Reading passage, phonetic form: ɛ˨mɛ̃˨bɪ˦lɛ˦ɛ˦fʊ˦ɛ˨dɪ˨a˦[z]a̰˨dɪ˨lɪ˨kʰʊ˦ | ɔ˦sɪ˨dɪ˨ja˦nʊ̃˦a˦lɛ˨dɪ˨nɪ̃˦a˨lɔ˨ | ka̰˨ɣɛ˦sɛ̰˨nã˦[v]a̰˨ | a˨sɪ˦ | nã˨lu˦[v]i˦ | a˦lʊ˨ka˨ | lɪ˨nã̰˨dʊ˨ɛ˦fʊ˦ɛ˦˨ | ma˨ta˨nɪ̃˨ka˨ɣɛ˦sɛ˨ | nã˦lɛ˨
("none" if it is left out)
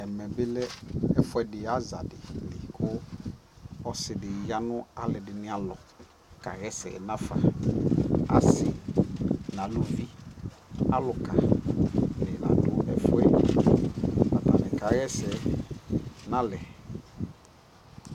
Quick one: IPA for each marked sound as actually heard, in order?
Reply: z, f, v

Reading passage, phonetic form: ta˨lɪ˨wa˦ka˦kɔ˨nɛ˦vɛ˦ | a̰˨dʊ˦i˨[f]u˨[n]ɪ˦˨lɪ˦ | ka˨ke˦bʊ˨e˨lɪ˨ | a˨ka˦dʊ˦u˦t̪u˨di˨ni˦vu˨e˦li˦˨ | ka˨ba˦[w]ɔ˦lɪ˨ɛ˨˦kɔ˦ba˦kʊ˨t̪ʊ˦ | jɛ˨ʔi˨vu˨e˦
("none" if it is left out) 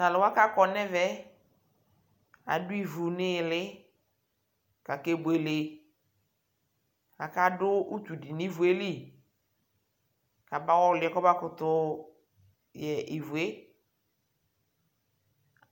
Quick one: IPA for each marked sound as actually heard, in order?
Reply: v, n, w

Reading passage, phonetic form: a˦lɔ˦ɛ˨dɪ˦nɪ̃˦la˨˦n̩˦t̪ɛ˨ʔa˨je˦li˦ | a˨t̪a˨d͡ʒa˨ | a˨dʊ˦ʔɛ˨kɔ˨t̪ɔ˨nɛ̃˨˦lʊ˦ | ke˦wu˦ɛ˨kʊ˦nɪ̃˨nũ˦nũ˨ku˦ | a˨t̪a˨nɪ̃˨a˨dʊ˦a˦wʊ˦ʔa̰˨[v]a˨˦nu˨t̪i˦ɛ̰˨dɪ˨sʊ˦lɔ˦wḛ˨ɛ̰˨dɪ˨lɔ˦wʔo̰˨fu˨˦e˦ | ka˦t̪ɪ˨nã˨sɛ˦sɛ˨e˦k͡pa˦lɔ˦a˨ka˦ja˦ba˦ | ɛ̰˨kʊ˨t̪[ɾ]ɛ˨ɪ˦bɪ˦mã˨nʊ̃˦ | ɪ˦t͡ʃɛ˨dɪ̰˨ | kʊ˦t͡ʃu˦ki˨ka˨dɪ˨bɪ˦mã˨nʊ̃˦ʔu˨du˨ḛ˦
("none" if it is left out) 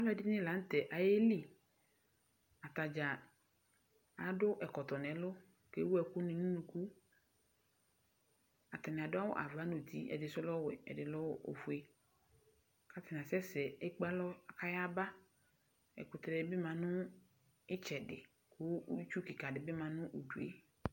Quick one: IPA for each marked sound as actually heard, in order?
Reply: v, ɾ

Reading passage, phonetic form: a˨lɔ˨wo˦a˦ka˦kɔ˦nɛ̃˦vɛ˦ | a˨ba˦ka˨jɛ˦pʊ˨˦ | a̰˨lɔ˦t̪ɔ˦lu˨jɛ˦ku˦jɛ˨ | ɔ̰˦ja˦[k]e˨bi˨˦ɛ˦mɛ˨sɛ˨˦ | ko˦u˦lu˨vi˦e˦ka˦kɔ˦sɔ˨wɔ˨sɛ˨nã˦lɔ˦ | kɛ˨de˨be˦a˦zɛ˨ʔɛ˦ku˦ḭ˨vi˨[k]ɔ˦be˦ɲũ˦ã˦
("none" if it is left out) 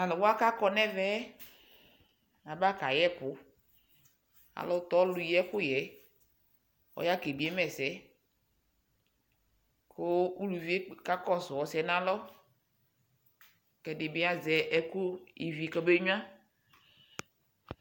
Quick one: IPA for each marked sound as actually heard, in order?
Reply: k, k

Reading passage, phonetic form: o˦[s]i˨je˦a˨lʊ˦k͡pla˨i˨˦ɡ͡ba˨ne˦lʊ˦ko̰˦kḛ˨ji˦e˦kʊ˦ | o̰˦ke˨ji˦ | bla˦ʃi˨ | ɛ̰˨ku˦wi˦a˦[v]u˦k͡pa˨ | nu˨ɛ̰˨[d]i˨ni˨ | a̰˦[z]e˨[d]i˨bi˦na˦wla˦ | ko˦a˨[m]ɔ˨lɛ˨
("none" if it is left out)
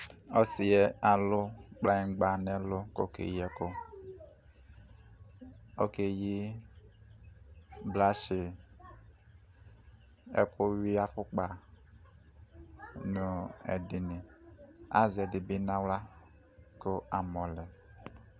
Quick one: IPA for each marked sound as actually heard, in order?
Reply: s, f, d, z, d, m

